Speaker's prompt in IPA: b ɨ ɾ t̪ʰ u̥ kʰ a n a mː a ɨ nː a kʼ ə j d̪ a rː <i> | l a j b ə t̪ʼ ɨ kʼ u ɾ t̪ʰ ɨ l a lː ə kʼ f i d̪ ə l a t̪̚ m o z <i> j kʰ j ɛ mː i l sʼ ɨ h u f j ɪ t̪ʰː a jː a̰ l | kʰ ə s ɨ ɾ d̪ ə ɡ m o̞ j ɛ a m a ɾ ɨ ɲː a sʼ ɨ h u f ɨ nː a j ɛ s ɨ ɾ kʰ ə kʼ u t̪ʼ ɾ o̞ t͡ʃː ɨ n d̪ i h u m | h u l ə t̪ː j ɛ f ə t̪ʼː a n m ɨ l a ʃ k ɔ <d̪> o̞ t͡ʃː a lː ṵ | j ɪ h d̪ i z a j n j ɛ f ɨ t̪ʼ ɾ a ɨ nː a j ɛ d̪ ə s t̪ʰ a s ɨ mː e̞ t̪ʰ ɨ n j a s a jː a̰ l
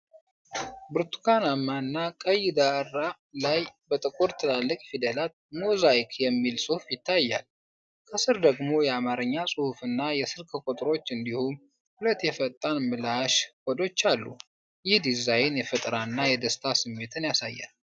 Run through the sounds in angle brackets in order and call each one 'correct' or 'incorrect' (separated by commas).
incorrect, incorrect, correct